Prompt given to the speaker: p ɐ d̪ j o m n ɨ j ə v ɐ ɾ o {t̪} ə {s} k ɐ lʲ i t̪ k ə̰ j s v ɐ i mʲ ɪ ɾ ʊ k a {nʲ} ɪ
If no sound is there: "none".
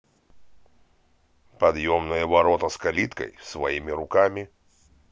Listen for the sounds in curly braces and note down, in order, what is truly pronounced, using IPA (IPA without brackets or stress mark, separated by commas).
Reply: t̪, s, mʲ